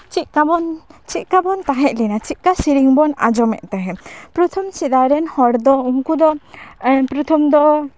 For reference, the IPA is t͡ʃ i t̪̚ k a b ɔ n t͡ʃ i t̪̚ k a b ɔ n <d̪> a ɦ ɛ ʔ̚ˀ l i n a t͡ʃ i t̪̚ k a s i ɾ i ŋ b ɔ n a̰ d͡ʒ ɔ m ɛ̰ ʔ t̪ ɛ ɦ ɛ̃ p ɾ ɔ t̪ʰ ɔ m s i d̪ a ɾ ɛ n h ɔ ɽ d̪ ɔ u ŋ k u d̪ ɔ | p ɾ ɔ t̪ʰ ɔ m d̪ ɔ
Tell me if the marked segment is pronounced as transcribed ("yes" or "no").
no